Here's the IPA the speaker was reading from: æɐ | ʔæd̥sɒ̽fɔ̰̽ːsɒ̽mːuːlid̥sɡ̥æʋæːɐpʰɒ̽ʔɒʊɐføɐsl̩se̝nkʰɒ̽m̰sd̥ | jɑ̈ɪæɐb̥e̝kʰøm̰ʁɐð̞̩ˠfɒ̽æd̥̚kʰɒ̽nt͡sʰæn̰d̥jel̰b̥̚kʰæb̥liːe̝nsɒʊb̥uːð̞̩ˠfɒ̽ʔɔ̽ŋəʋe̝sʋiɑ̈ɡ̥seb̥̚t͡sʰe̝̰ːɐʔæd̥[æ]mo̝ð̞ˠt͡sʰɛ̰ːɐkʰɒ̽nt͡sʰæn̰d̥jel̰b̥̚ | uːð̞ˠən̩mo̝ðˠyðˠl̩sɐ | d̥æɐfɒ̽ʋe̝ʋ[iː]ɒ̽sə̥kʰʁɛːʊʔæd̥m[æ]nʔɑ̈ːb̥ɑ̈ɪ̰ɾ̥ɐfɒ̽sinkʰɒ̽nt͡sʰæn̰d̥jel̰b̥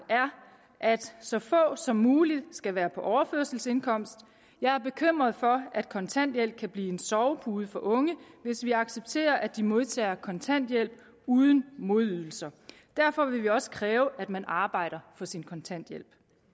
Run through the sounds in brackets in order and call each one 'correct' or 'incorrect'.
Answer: incorrect, incorrect, correct

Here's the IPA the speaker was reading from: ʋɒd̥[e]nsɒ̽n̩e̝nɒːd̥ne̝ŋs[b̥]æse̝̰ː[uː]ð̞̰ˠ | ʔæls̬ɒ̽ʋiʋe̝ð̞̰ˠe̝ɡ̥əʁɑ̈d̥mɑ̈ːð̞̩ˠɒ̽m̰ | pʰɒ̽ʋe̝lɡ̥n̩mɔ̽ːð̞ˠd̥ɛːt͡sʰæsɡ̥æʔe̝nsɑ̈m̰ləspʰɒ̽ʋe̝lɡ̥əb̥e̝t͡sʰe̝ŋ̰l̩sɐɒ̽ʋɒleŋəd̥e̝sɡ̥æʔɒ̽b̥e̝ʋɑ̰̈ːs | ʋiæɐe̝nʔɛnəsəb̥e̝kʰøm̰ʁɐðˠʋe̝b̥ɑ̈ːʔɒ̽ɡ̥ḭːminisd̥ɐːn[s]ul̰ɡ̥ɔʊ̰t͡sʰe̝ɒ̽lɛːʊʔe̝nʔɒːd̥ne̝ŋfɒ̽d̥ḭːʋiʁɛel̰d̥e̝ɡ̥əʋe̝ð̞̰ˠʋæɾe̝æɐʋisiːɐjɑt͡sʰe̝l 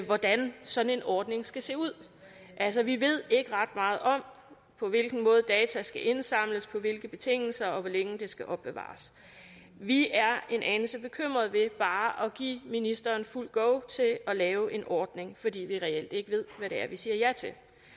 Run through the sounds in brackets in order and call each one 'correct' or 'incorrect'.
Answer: incorrect, incorrect, incorrect, incorrect

